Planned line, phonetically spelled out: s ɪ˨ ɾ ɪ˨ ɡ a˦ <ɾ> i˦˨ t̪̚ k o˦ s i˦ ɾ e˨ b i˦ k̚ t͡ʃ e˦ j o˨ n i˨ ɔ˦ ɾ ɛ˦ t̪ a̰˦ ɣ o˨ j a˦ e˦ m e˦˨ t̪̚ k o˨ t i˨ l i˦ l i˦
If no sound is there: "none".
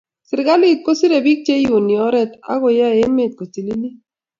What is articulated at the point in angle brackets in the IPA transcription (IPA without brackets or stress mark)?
l